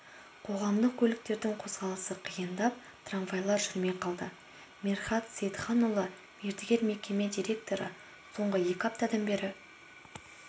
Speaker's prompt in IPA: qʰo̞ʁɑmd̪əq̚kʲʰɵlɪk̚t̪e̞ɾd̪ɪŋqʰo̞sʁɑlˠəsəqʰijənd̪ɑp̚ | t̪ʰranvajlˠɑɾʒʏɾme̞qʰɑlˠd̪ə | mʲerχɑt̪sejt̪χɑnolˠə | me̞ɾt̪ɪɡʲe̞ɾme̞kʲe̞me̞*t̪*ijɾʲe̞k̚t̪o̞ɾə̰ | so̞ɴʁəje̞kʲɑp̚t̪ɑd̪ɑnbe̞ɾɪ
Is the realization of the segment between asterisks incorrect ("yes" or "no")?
yes